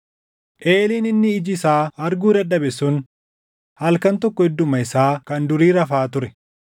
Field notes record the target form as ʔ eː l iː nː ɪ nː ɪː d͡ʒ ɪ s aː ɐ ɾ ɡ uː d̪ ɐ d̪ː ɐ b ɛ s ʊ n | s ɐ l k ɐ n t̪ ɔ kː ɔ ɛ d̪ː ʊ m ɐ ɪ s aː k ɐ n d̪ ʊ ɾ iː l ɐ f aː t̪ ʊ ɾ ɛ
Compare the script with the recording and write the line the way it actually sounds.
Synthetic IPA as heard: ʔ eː l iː n ɪ nː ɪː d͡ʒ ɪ s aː ɐ ɾ ɡ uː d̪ ɐ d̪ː ɐ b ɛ s ʊ n | h ɐ l k ɐ n t̪ ɔ kː ɔ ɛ d̪ː ʊ m ɐ ɪ s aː k ɐ n d̪ ʊ ɾ iː ɾ ɐ f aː t̪ ʊ ɾ ɛ

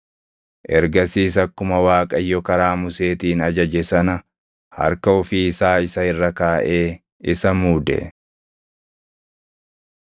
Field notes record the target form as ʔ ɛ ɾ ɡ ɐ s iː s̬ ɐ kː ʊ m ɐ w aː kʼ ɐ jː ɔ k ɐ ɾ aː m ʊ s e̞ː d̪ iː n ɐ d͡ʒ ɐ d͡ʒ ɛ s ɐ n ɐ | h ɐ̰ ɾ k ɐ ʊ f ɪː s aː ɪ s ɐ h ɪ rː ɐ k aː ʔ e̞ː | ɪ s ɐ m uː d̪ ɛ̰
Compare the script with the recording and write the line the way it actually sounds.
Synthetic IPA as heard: ʔ ɛ ɾ ɡ ɐ s iː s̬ ɐ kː ʊ m ɐ w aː kʼ ɐ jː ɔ k ɐ ɾ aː m ʊ s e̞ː t̪ iː n ɐ d͡ʒ ɐ d͡ʒ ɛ s ɐ n ɐ | h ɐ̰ ɾ k ɐ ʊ f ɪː s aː ɪ s ɐ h ɪ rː ɐ k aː ʔ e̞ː | ɪ s ɐ m uː d̪ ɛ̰

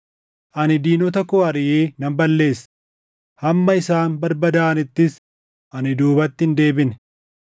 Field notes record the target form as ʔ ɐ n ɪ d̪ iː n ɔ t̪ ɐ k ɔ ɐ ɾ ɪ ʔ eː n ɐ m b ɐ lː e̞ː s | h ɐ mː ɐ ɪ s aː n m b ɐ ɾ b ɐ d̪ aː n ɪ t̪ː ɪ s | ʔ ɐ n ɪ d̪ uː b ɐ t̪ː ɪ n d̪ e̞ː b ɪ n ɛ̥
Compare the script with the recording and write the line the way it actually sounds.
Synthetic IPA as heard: ʔ ɐ n ɪ d̪ iː n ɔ t̪ ɐ k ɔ ɐ ɾ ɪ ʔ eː n ɐ m b ɐ lː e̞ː s | h ɐ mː ɐ ɪ s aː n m b ɐ ɾ b ɐ d̪ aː n ɪ t̪ː ɪ s | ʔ ɐ n ɪ d̪ uː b ɐ t̪ː ɪ n d̪ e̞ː b ɪ n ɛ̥

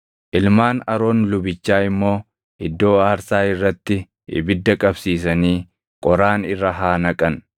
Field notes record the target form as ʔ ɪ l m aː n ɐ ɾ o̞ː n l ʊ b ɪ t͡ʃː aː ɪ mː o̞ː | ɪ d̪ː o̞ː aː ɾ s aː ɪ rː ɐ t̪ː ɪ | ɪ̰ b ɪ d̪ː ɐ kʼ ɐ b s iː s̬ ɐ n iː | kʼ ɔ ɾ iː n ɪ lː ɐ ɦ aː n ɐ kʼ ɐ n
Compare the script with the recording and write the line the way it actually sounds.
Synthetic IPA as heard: ʔ ɪ l m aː n ɐ ɾ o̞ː n l ʊ b ɪ t͡ʃː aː ɪ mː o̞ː | ɪ d̪ː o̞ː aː ɾ s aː ɪ rː ɐ t̪ː ɪ | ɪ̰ b ɪ d̪ː ɐ kʼ ɐ b s iː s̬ ɐ n iː | kʼ ɔ ɾ aː n ɪ rː ɐ ɦ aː n ɐ kʼ ɐ n

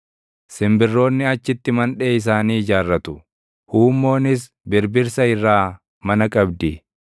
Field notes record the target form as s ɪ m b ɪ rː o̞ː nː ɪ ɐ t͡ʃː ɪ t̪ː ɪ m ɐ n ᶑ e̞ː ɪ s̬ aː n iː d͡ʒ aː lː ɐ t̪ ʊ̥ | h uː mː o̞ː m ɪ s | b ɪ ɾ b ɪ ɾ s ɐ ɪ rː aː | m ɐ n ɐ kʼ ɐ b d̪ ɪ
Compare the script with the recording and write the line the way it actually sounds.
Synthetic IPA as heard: s ɪ m b ɪ rː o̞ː nː ɪ ɐ t͡ʃː ɪ t̪ː ɪ m ɐ n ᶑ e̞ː ɪ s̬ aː n iː d͡ʒ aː rː ɐ t̪ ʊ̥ | h uː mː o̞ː n ɪ s | b ɪ ɾ b ɪ ɾ s ɐ ɪ rː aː | m ɐ n ɐ kʼ ɐ b d̪ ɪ

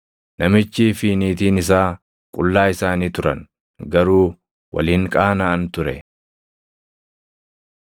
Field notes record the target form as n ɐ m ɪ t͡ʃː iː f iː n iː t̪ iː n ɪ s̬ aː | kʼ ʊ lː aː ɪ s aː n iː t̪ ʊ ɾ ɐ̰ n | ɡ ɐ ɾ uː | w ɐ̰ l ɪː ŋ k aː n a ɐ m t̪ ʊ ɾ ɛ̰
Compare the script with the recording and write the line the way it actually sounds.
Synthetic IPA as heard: n ɐ m ɪ t͡ʃː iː f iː n iː t̪ iː n ɪ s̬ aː | kʼ ʊ lː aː ɪ s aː n iː t̪ ʊ ɾ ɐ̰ n | ɡ ɐ ɾ uː | w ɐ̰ l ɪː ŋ kʼ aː n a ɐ n t̪ ʊ ɾ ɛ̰

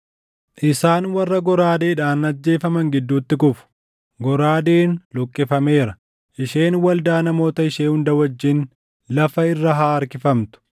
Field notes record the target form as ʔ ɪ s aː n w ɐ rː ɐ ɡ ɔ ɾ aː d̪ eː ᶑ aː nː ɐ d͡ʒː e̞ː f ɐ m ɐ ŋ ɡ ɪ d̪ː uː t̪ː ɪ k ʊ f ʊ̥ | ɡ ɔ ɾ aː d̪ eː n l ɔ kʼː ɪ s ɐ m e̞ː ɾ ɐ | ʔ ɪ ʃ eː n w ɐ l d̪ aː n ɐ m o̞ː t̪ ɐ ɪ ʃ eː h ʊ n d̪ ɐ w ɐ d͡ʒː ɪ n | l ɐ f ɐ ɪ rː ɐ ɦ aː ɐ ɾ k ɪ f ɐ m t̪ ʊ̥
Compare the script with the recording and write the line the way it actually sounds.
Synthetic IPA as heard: ʔ ɪ s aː n w ɐ rː ɐ ɡ ɔ ɾ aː d̪ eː ᶑ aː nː ɐ d͡ʒː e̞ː f ɐ m ɐ ŋ ɡ ɪ d̪ː uː t̪ː ɪ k ʊ f ʊ̥ | ɡ ɔ ɾ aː d̪ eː n l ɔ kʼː ɪ f ɐ m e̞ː ɾ ɐ | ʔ ɪ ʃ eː n w ɐ l d̪ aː n ɐ m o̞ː t̪ ɐ ɪ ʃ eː h ʊ n d̪ ɐ w ɐ d͡ʒː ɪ n | l ɐ f ɐ ɪ rː ɐ ɦ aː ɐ ɾ k ɪ f ɐ m t̪ ʊ̥

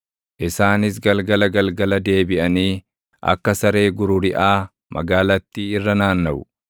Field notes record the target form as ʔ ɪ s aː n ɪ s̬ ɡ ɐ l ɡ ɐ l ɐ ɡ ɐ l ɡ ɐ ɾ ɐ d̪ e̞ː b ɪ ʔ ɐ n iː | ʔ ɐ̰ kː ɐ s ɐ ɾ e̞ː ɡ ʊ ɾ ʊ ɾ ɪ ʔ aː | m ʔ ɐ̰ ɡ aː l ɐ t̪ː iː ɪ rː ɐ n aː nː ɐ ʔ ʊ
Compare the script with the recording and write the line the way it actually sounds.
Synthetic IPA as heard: ʔ ɪ s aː n ɪ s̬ ɡ ɐ l ɡ ɐ l ɐ ɡ ɐ l ɡ ɐ l ɐ d̪ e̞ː b ɪ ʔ ɐ n iː | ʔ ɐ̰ kː ɐ s ɐ ɾ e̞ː ɡ ʊ ɾ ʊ ɾ ɪ ʔ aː | m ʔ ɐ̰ ɡ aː l ɐ t̪ː iː ɪ rː ɐ n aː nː ɐ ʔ ʊ

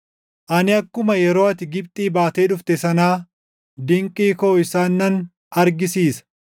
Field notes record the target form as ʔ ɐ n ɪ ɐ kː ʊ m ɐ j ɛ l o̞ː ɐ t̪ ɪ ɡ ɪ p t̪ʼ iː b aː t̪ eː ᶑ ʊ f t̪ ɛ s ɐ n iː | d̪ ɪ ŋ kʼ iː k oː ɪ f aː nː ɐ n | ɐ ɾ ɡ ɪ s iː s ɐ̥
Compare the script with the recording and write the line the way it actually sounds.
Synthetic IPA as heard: ʔ ɐ n ɪ ɐ kː ʊ m ɐ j ɛ ɾ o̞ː ɐ t̪ ɪ ɡ ɪ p t̪ʼ iː b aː t̪ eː ᶑ ʊ f t̪ ɛ s ɐ n aː | d̪ ɪ ŋ kʼ iː k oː ɪ s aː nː ɐ n | ɐ ɾ ɡ ɪ s iː s ɐ̥

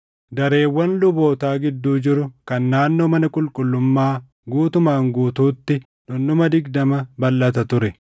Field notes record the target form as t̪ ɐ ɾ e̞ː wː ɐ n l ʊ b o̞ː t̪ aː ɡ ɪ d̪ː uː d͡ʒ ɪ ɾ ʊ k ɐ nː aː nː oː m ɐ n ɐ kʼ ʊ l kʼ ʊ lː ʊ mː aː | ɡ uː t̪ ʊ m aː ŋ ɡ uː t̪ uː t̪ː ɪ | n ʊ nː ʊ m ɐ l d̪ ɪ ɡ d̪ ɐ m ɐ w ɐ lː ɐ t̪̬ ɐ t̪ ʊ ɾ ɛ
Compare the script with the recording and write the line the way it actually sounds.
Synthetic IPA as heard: d̪ ɐ ɾ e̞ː wː ɐ n l ʊ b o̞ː t̪ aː ɡ ɪ d̪ː uː d͡ʒ ɪ ɾ ʊ k ɐ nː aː nː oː m ɐ n ɐ kʼ ʊ l kʼ ʊ lː ʊ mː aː | ɡ uː t̪ ʊ m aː ŋ ɡ uː t̪ uː t̪ː ɪ | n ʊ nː ʊ m ɐ d̪ ɪ ɡ d̪ ɐ m ɐ b ɐ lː ɐ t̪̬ ɐ t̪ ʊ ɾ ɛ

